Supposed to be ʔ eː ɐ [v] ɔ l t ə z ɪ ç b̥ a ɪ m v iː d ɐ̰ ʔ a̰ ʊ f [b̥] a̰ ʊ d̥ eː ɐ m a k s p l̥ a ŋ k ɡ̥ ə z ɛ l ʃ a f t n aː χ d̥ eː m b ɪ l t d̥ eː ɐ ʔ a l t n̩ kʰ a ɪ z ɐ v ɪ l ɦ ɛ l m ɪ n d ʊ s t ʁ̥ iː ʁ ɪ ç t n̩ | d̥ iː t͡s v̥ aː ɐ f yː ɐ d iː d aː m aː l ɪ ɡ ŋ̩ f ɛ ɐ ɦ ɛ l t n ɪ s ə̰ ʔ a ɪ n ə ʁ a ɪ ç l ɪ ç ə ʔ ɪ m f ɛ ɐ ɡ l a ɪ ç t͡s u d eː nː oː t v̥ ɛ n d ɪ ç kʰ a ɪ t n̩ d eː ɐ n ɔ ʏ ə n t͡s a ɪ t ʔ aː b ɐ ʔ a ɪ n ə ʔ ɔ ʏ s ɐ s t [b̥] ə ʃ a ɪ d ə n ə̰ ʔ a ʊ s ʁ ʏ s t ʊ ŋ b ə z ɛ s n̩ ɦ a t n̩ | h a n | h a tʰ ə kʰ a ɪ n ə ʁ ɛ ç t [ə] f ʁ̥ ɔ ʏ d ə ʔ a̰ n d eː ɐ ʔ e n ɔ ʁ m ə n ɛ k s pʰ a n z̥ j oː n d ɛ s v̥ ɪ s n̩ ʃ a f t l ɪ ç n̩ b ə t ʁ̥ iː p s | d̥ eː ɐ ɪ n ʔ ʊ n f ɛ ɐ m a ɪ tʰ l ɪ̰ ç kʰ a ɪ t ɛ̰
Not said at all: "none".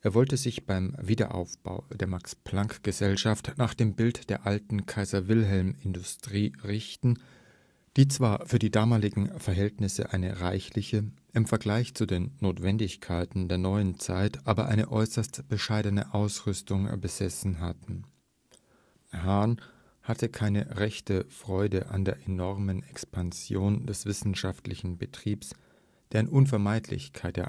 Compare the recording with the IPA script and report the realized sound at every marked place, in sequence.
v, b̥, b̥, ə

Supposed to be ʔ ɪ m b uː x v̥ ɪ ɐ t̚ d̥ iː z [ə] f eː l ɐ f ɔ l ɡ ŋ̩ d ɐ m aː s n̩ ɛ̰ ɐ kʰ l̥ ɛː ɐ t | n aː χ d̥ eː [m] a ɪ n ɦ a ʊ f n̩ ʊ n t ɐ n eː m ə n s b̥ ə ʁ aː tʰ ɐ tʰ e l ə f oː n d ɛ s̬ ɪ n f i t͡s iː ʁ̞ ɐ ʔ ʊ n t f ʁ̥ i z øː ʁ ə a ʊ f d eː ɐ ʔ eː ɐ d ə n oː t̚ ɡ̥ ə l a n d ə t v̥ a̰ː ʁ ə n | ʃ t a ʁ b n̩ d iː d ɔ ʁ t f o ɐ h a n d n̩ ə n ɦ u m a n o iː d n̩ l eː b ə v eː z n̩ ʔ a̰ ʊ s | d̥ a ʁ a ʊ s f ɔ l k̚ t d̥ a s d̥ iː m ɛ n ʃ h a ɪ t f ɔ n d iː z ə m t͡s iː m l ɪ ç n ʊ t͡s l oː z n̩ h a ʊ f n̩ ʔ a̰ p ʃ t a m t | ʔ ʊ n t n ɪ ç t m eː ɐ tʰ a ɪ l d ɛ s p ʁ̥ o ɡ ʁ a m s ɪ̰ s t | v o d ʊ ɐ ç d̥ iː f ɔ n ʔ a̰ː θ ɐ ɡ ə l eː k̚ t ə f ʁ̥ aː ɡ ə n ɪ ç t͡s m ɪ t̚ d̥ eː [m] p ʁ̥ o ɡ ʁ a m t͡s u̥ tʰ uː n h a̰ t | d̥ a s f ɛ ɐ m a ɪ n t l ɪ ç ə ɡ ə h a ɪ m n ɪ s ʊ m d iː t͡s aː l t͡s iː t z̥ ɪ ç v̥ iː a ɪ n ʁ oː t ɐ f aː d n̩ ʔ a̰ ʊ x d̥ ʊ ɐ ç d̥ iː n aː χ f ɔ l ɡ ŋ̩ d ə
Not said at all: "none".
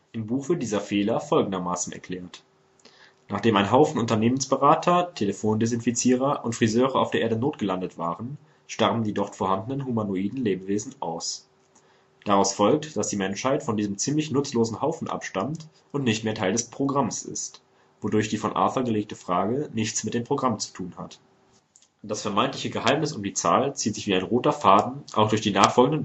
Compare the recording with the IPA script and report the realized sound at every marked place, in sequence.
ɐ, m, m

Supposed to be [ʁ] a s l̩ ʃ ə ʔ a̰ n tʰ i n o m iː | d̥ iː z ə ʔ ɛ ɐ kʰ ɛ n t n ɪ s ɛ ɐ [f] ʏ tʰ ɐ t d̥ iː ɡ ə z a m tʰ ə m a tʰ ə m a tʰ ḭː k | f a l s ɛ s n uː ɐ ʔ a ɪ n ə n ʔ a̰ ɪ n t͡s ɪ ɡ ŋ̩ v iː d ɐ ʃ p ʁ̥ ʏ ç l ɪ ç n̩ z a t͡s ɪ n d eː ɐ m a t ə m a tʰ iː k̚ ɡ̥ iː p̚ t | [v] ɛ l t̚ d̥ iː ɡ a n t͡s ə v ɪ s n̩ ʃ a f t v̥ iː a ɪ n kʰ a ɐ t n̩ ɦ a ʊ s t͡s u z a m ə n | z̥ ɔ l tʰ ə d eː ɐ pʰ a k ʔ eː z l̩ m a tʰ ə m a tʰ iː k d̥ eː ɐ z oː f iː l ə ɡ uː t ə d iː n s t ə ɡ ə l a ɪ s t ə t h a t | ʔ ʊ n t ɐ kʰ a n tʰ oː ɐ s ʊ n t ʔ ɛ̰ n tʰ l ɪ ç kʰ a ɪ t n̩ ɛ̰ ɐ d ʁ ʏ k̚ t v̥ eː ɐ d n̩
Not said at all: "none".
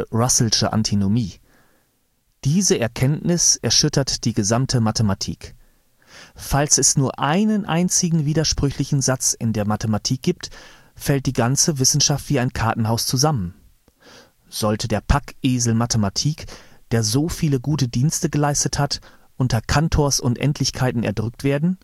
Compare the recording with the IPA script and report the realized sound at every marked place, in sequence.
ʁ, ʃ, f

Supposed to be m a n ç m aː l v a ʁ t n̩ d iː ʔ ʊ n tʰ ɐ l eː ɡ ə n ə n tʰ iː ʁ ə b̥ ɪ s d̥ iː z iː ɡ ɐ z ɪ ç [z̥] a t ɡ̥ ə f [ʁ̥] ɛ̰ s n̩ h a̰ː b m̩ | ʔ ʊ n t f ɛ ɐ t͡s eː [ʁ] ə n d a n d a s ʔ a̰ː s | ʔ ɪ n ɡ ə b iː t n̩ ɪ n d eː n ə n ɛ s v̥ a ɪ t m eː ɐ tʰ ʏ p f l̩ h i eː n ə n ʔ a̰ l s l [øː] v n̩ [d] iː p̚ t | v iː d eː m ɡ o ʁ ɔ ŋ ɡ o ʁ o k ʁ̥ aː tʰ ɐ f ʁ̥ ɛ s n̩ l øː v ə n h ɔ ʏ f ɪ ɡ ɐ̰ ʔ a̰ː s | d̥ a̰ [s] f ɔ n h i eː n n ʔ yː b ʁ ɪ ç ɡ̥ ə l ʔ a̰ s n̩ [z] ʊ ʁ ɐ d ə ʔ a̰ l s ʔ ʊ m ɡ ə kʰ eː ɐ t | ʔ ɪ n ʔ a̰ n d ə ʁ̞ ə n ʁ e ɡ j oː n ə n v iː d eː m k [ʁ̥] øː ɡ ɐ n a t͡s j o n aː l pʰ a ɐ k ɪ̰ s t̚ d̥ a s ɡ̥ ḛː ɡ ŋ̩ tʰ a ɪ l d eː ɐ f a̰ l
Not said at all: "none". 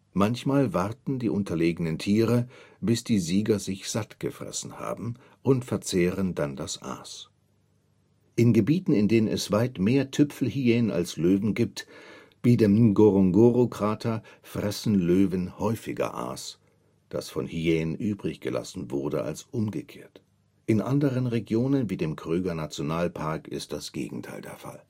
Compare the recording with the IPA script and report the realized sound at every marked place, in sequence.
z̥, ʁ̥, ʁ, øː, ɡ, s, v, ʁ̥

